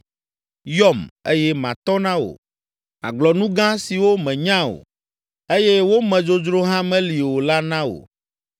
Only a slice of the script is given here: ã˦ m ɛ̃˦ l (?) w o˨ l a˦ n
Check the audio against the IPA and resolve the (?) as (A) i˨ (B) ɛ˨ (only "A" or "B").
A